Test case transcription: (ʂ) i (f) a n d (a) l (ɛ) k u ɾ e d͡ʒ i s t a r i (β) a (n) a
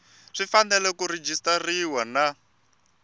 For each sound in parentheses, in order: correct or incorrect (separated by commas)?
correct, correct, incorrect, correct, incorrect, correct